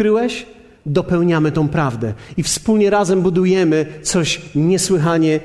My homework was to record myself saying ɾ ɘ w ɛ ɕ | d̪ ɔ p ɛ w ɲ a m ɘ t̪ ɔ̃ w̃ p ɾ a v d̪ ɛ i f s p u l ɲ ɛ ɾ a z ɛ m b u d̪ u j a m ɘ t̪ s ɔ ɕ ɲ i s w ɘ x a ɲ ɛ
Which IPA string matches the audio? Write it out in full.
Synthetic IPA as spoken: ɾ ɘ w ɛ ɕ | d̪ ɔ p ɛ w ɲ a m ɘ t̪ ɔ̃ w̃ p ɾ a v d̪ ɛ i f s p u l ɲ ɛ ɾ a z ɛ m b u d̪ u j ɛ m ɘ t̪ s ɔ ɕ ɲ ɛ s w ɘ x a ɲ ɛ